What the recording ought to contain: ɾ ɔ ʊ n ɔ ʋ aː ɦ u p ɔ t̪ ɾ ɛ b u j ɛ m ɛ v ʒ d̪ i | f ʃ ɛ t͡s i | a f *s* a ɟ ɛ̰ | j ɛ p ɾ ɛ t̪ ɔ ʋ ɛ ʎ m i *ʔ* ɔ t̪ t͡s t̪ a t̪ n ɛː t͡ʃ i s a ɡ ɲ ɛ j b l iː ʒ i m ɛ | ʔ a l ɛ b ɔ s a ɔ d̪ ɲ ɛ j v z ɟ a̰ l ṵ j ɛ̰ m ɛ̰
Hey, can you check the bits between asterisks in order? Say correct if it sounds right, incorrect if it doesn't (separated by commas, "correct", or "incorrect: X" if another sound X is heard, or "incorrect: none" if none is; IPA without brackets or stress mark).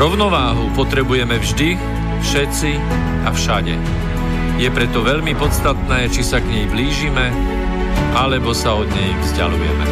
incorrect: ʃ, incorrect: p